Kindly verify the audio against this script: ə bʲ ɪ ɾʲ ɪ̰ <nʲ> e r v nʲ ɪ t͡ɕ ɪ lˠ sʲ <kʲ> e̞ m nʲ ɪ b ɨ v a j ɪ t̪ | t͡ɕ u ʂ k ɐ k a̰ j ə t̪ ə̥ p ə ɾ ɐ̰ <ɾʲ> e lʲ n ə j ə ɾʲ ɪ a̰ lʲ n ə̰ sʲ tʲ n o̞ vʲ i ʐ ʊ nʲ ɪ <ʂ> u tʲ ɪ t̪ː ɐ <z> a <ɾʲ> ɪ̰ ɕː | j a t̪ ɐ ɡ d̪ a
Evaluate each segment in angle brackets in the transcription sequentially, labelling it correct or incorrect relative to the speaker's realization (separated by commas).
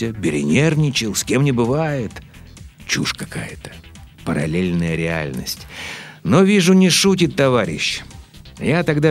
correct, correct, incorrect, correct, incorrect, correct